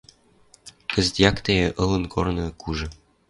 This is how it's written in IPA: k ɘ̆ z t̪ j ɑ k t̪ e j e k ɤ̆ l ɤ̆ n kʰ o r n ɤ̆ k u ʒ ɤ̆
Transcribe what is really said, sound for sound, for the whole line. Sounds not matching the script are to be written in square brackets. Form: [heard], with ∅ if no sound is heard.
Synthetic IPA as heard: k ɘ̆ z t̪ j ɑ k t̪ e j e [ʔ] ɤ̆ l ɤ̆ n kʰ o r n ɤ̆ k u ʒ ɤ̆